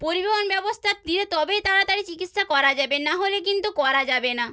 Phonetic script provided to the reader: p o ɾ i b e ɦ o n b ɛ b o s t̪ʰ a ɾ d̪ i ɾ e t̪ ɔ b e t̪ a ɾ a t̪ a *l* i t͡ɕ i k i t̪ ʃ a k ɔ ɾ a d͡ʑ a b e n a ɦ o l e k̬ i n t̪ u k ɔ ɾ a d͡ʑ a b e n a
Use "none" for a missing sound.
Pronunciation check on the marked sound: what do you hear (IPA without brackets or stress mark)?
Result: ɾ